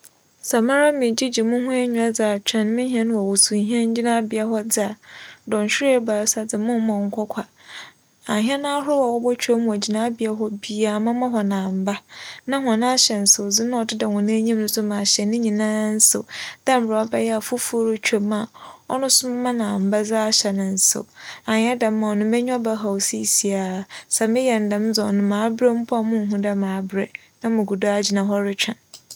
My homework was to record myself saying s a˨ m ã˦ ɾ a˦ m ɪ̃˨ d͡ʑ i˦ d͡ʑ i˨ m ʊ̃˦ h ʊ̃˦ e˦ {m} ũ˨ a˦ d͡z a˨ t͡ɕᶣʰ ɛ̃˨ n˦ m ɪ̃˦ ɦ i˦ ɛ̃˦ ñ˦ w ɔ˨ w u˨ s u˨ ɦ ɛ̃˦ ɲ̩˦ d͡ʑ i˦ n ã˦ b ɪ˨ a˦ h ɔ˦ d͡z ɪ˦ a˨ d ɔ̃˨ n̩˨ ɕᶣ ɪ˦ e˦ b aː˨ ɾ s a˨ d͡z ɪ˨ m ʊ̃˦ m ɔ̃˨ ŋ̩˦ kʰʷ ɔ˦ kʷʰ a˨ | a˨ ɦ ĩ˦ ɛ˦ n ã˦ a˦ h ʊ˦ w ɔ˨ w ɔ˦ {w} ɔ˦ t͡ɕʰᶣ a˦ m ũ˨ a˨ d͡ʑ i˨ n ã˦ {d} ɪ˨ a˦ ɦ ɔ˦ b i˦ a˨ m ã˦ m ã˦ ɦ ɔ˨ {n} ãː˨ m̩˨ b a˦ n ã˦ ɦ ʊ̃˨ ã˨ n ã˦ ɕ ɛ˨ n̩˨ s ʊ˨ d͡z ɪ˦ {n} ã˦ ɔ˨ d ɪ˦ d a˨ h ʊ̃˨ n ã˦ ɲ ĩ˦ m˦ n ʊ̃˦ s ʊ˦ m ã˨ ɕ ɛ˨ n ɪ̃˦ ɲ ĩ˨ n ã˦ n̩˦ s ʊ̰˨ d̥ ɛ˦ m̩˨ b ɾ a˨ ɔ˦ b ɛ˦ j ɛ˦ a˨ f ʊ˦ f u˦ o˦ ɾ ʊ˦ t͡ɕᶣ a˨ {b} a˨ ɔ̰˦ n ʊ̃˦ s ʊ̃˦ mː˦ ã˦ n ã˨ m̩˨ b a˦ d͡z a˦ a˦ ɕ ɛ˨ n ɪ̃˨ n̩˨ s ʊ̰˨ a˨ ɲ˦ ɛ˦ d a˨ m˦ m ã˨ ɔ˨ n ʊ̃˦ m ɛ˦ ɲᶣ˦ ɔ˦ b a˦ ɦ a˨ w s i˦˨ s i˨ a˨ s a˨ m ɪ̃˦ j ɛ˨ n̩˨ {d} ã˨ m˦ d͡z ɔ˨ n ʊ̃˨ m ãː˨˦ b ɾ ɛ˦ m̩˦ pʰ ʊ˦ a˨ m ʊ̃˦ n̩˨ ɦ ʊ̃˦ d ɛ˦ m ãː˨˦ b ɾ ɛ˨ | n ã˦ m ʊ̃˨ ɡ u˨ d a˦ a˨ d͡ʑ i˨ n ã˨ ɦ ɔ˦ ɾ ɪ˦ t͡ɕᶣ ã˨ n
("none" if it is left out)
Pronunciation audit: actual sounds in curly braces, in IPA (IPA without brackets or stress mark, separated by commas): ɲ, b, b, n, n, m, d